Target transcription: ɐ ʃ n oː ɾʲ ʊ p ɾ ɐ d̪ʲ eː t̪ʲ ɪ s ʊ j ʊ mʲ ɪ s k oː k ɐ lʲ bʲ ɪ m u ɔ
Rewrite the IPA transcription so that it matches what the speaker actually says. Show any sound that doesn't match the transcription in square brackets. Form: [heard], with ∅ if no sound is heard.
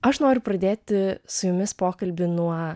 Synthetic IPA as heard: ɐ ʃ n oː ɾʲ ʊ p ɾ ɐ d̪ʲ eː t̪ʲ ɪ s ʊ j ʊ mʲ ɪ s [p] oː k ɐ lʲ bʲ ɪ [n] u ɔ